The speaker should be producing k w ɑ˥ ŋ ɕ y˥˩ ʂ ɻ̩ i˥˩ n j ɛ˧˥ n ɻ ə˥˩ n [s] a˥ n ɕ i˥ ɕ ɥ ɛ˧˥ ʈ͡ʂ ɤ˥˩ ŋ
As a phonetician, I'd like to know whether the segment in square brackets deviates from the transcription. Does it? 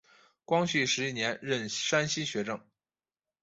yes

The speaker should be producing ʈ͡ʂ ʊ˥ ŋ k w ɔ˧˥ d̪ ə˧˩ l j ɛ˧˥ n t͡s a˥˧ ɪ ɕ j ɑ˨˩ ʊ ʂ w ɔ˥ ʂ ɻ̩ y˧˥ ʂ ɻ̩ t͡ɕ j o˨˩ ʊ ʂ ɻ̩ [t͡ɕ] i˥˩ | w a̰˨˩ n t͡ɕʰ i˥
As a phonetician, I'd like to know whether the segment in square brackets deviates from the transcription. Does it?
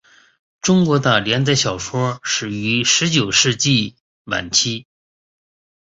no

